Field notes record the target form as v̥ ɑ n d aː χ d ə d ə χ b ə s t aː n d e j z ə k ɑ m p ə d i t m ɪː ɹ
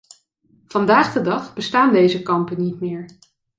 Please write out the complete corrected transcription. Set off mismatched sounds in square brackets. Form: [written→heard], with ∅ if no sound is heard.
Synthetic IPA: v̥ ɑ n d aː χ d ə d [ə→ɑ] χ b ə s t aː n d e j z ə k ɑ m p ə [d→n] i t m ɪː ɹ

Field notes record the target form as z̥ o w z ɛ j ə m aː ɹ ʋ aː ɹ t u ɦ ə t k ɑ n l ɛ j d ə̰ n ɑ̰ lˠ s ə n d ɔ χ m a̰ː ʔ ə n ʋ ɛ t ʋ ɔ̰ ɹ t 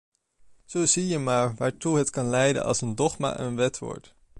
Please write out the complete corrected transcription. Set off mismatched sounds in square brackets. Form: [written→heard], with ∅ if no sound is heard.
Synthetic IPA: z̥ o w z [ɛ→i] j ə m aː ɹ ʋ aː ɹ t u ɦ ə t k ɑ n l ɛ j d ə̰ n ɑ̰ lˠ s ə n d ɔ χ m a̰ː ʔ ə n ʋ ɛ t ʋ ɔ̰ ɹ t

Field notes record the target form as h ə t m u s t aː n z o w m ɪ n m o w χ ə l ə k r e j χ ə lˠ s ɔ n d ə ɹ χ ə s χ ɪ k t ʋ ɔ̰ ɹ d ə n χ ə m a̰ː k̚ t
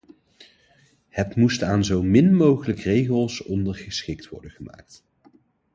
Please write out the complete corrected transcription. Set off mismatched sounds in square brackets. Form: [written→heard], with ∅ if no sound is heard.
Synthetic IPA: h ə t m u s t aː n z o w m ɪ n m o w χ ə l ə k r e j χ ə lˠ s ɔ n d ə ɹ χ ə s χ ɪ k t ʋ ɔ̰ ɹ d ə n χ ə m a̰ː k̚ t

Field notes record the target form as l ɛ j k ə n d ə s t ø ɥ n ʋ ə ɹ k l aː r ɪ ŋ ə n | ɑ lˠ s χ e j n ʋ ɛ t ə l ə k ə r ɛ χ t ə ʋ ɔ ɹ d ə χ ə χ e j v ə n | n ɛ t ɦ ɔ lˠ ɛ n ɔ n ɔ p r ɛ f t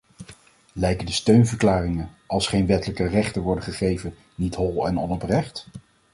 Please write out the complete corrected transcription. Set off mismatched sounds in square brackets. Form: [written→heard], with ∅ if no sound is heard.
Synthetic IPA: l ɛ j k ə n d ə s t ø ɥ n [ʋ→v] ə ɹ k l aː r ɪ ŋ ə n | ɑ lˠ s χ e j n ʋ ɛ t ə l ə k ə r ɛ χ t ə ʋ ɔ ɹ d ə χ ə χ e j v ə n | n [ɛ→i] t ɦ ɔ lˠ ɛ n ɔ n ɔ p r ɛ [f→χ] t

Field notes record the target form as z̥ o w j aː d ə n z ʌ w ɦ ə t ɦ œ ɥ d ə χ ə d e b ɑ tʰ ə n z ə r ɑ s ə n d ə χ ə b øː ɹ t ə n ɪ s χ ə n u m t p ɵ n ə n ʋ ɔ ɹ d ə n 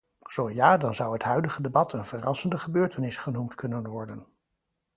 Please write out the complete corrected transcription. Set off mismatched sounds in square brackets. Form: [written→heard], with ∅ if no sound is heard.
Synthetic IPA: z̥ o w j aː d [ə→ɑ] n z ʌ w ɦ ə t ɦ œ ɥ d ə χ ə d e b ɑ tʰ ə n [z→v] ə r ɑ s ə n d ə χ ə b øː ɹ t ə n ɪ s χ ə n u m t [p→k] ɵ n ə n ʋ ɔ ɹ d ə n

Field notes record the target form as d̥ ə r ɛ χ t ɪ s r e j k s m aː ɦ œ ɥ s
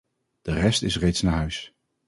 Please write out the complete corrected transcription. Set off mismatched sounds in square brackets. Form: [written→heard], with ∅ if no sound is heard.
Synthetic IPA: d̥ ə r ɛ [χ→s] t ɪ s r e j [k→t] s [m→n] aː ɦ œ ɥ s

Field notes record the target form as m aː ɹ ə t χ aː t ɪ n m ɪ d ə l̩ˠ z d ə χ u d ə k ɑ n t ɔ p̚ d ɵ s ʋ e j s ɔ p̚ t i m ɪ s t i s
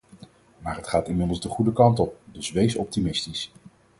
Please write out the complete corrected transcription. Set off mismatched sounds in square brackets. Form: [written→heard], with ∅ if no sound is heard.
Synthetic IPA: m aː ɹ ə t χ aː t ɪ n m ɪ d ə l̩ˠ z d ə χ u d ə k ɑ n t ɔ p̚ d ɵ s ʋ e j s ɔ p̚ t i m ɪ s t i s

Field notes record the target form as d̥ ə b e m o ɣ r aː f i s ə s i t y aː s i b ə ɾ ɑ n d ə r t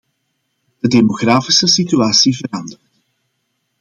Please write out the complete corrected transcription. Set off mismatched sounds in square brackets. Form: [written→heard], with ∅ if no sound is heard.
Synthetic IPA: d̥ ə [b→d] e m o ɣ r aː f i s ə s i t y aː s i [b→v] ə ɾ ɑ n d ə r t

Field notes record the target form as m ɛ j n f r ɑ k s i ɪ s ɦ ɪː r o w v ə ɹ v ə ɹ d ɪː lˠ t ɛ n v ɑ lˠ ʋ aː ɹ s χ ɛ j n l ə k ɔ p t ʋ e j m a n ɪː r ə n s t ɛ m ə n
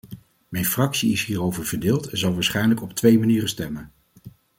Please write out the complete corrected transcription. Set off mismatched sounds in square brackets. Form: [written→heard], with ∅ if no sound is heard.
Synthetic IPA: m ɛ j n f r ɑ k s i ɪ s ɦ [ɪː→iː] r o w v ə ɹ v ə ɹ d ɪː lˠ t ɛ n [v→z] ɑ lˠ ʋ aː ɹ s χ ɛ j n l ə k ɔ p t ʋ e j m a n [ɪː→iː] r ə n s t ɛ m ə n

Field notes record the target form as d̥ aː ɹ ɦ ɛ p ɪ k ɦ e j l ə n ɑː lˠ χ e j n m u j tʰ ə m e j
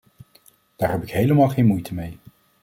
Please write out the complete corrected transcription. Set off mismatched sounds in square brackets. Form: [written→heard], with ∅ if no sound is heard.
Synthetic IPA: d̥ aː ɹ ɦ ɛ p ɪ k ɦ e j l ə [n→m] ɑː lˠ χ e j n m u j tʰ ə m e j

